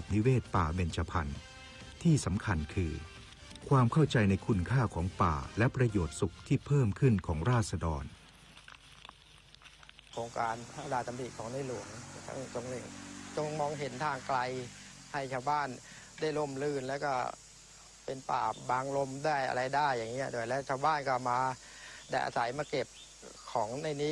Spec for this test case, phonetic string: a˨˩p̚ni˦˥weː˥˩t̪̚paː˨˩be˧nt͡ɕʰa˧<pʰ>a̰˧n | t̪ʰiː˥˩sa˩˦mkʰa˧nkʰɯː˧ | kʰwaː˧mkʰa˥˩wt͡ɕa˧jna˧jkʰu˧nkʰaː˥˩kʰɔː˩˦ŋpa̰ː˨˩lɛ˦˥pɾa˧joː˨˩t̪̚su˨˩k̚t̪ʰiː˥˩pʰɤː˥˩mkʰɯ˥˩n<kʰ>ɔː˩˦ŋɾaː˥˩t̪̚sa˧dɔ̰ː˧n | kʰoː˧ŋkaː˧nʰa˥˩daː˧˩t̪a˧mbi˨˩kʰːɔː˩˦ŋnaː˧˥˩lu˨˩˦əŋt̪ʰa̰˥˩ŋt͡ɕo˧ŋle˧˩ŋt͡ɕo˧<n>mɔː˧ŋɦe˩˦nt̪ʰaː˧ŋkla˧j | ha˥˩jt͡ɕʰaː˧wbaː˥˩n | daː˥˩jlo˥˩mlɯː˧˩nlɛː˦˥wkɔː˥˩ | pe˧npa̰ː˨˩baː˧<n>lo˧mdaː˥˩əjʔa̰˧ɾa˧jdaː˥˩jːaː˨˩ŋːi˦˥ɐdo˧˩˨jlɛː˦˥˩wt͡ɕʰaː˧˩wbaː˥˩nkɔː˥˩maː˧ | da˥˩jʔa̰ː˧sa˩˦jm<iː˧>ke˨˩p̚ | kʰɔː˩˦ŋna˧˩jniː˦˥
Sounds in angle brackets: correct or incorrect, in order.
correct, correct, incorrect: ŋ, incorrect: ŋ, incorrect: aː˧

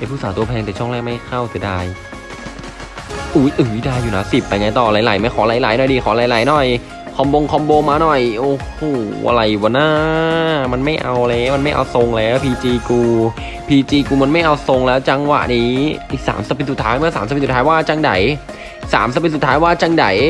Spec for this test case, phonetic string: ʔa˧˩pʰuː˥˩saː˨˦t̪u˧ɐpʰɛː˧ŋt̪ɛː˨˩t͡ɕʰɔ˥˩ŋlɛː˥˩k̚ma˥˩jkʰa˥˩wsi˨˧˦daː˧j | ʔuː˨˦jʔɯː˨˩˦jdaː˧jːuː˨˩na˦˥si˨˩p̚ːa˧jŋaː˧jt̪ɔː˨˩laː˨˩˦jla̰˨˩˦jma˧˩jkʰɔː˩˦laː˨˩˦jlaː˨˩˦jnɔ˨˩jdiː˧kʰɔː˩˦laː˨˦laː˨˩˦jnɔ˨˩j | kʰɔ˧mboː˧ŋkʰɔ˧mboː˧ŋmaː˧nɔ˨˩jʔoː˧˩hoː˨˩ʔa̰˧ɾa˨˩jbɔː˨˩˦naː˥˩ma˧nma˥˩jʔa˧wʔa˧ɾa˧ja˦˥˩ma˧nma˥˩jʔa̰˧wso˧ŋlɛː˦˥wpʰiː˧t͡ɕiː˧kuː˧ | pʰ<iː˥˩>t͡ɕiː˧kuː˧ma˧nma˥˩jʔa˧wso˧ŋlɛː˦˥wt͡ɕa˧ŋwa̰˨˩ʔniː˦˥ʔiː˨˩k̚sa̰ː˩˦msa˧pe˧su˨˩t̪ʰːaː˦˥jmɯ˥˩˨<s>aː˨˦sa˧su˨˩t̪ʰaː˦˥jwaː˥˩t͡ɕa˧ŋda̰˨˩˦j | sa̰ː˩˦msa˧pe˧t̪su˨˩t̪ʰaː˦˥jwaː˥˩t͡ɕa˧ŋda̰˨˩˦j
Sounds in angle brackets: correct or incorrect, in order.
incorrect: iː˧, correct

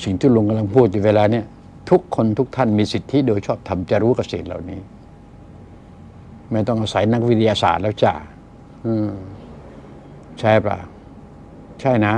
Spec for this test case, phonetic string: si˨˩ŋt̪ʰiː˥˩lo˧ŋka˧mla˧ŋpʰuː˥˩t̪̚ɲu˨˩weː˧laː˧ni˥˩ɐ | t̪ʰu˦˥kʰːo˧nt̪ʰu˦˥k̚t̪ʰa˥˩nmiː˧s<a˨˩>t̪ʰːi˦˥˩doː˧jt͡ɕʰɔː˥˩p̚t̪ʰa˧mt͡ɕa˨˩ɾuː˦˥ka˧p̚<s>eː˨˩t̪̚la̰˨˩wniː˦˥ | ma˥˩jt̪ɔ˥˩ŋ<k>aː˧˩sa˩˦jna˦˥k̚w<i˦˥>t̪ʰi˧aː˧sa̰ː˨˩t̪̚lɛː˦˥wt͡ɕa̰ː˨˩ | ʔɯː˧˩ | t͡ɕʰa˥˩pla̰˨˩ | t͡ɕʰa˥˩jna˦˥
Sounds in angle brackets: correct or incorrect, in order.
incorrect: i˨˩, correct, incorrect: ʔ, correct

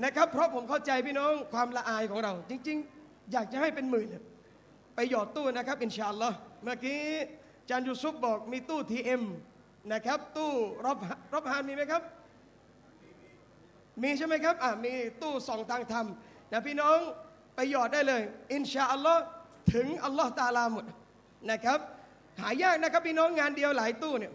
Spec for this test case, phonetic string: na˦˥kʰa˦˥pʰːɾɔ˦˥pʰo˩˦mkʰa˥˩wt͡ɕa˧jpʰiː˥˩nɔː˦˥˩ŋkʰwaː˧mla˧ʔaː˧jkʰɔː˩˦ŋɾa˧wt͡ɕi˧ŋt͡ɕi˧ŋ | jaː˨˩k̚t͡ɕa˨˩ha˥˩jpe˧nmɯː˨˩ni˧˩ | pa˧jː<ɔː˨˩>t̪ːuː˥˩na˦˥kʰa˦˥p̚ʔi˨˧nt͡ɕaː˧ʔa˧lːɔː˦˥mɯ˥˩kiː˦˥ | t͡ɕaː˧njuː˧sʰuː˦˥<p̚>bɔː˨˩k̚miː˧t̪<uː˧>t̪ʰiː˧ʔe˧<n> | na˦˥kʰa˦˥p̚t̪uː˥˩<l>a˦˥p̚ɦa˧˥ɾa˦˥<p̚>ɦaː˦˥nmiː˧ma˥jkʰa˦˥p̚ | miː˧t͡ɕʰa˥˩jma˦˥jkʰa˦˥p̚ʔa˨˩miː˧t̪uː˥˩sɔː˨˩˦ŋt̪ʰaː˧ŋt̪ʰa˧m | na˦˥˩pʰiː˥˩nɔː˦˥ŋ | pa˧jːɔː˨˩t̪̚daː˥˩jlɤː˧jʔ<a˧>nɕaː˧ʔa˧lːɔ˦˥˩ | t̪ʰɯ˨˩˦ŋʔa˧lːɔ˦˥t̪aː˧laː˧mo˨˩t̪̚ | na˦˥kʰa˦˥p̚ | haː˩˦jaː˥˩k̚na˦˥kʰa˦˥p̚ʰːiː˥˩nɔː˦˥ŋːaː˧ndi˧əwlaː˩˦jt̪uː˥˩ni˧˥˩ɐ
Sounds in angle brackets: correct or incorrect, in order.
correct, correct, incorrect: uː˥˩, incorrect: m, incorrect: ɾ, correct, incorrect: i˧

